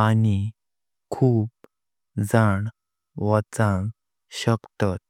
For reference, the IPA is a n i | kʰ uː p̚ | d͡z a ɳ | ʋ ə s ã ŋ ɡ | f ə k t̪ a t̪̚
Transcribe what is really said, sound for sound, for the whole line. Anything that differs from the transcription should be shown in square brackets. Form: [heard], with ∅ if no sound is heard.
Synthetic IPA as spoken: a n i | kʰ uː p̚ | d͡z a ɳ | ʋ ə [t͡s] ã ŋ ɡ | [ɕ] ə k t̪ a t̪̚